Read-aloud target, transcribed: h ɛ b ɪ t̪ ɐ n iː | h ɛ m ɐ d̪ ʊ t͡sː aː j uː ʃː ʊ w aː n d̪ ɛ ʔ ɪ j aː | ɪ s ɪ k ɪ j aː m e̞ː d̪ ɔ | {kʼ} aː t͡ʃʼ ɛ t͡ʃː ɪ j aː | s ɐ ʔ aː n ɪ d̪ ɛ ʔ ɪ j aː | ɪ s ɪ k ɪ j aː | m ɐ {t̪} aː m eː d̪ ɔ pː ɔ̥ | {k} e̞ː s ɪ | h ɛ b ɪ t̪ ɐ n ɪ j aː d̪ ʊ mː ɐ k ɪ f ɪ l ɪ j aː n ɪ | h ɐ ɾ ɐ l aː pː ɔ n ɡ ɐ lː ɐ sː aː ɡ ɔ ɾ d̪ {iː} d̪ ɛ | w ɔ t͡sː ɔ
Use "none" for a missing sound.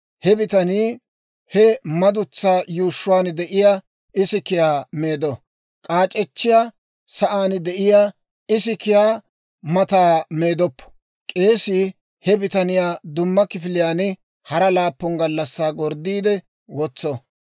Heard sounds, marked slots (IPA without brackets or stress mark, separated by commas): kʼ, t̪, kʼ, iː